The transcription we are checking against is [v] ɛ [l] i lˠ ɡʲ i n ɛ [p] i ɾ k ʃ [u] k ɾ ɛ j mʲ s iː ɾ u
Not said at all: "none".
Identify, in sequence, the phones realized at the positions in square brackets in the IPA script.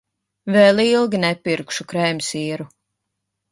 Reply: v, l, p, u

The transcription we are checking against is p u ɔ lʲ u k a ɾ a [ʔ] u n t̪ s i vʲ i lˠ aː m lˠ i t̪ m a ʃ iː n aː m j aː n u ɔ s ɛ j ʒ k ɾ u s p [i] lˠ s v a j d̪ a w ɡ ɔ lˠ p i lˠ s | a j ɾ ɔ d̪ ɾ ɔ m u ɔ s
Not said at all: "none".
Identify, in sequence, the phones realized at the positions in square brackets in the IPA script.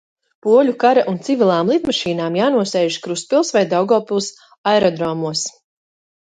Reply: ʔ, i

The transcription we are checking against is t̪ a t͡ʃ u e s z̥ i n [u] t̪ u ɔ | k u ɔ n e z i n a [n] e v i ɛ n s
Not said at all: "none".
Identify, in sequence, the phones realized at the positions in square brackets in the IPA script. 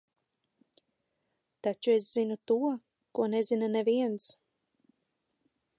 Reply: u, n

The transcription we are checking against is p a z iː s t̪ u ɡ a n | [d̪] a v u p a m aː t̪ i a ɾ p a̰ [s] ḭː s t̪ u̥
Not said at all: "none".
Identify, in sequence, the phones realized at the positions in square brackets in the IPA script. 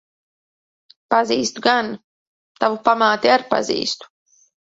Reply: t̪, z

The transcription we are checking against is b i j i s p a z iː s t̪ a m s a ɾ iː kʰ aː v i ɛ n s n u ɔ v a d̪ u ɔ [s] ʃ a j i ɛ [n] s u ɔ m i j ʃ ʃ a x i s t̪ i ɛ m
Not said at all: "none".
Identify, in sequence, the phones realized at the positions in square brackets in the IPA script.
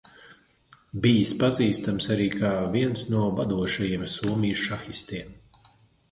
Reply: none, m

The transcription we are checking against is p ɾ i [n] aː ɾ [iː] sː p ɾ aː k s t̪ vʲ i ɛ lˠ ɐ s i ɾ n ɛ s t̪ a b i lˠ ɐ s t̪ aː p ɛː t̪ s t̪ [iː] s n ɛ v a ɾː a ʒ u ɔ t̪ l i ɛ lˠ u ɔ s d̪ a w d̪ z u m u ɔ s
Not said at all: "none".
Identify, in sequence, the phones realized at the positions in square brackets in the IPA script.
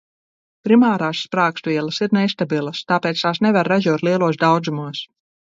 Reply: m, aː, aː

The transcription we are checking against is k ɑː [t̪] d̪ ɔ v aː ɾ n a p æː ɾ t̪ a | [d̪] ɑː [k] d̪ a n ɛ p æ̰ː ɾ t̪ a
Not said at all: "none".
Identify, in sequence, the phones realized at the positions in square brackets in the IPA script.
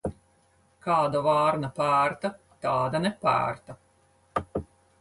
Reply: none, t̪, none

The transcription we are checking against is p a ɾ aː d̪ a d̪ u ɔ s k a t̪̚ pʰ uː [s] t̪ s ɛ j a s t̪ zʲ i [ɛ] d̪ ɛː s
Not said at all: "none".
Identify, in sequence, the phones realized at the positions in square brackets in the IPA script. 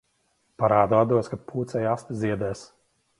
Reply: none, ɛ

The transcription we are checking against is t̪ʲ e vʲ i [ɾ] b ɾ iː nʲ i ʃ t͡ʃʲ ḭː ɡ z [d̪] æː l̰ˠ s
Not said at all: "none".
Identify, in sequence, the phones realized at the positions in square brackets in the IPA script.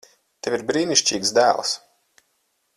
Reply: ɾ, d̪

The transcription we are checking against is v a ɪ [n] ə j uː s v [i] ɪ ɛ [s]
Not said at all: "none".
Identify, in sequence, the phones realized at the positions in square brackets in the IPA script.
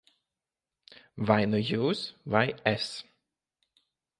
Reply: n, a, s

